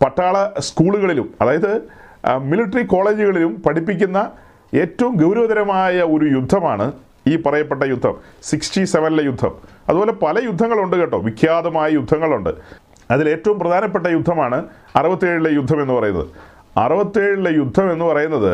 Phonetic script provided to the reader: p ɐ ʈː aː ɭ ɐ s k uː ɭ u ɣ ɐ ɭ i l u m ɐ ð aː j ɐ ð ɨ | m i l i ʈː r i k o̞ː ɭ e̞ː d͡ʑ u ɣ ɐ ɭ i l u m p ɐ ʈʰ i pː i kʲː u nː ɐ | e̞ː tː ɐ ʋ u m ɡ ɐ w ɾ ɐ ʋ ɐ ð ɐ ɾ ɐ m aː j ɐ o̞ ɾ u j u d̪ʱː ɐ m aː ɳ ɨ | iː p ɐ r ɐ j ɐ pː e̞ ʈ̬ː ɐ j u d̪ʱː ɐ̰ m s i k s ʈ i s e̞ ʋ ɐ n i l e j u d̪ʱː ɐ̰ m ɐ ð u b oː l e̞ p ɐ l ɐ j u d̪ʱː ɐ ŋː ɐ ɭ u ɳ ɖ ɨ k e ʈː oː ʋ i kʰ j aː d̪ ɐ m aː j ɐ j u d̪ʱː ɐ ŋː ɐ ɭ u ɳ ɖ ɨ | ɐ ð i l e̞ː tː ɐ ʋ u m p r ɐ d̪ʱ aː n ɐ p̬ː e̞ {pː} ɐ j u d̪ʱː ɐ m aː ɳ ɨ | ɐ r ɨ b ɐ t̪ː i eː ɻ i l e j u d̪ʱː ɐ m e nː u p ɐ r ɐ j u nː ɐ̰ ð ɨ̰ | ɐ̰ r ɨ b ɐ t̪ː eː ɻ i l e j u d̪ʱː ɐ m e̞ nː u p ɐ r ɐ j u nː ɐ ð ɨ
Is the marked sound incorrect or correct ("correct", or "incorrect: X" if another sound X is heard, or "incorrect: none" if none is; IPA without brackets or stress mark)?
incorrect: ʈː